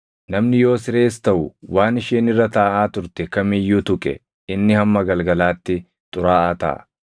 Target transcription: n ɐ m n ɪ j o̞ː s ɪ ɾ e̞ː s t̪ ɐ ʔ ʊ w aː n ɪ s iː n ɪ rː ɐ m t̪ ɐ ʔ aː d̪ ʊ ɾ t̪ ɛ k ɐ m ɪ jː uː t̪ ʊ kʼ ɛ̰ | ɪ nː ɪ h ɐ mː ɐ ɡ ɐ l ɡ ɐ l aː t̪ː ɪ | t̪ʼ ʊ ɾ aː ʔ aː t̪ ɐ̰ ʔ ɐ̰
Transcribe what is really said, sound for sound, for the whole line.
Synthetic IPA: n ɐ m n ɪ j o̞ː s ɪ ɾ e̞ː s t̪ ɐ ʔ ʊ w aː n ɪ ʃ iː n ɪ rː ɐ t̪ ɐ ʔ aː t̪ ʊ ɾ t̪ ɛ k ɐ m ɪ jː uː t̪ ʊ kʼ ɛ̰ | ɪ nː ɪ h ɐ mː ɐ ɡ ɐ l ɡ ɐ l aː t̪ː ɪ | t̪ʼ ʊ ɾ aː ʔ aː t̪ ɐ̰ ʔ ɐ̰